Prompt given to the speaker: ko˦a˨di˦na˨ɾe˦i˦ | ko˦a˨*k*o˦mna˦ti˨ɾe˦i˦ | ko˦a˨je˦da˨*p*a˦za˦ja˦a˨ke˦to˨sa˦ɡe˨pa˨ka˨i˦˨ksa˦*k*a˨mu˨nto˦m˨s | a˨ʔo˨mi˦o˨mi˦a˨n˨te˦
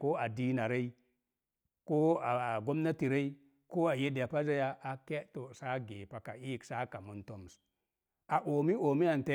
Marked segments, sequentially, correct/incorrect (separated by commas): incorrect, correct, correct